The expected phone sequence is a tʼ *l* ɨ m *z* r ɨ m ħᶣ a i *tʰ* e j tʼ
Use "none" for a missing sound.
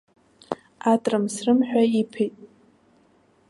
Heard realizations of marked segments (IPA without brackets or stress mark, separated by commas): r, s, pʰ